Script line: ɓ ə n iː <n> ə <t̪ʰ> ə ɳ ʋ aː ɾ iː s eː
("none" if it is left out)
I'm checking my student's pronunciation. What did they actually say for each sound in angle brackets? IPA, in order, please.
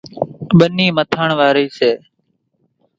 m, t̪ʰ

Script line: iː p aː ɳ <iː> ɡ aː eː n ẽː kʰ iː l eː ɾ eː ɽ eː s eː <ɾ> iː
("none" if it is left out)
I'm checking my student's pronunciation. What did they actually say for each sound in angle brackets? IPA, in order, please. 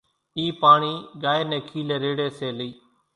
iː, l

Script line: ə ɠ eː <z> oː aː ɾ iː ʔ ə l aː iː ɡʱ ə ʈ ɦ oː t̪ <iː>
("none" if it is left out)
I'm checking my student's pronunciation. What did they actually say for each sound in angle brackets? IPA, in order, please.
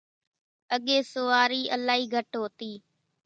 s, iː

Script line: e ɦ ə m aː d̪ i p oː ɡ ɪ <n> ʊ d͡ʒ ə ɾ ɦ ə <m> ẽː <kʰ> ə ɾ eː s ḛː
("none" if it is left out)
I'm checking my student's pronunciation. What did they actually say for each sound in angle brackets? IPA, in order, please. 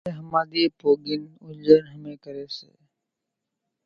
n, m, k

